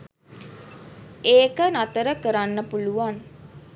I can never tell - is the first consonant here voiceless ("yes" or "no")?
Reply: yes